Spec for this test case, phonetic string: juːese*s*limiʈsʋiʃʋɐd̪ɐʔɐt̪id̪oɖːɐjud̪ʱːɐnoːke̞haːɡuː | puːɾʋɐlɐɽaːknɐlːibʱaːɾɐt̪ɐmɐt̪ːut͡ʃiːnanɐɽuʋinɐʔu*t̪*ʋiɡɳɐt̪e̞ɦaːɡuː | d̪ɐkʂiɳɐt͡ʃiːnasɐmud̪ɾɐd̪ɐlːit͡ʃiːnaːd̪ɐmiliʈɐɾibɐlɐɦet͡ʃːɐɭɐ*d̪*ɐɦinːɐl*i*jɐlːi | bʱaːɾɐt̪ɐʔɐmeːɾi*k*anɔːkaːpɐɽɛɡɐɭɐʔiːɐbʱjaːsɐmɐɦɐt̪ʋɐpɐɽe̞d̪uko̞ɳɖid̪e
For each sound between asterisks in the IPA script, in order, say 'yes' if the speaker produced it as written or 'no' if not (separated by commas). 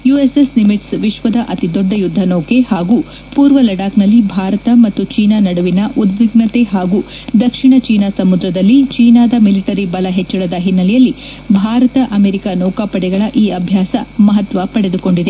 yes, no, yes, no, yes